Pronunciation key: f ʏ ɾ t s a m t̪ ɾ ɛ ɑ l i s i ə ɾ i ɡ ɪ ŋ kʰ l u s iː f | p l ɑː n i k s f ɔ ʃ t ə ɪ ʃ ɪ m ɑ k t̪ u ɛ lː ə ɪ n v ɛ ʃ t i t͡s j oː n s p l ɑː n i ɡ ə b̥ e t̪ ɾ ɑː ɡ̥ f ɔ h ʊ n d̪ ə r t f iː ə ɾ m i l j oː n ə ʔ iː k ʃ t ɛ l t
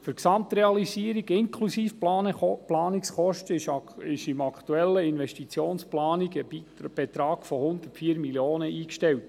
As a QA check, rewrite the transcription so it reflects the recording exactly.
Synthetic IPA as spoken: f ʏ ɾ k s ɑ m t̪ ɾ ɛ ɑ l i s i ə ɾ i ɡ ɪ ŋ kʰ l u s iː f | p l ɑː n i k s χ ɔ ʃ t ə ɪ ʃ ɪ m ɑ k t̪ u ɛ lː ə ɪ n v ɛ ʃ t i t͡s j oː n s p l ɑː n i ɡ ə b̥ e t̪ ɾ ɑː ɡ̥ f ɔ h ʊ n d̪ ə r t f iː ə ɾ m i l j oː n ə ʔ iː k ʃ t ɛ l t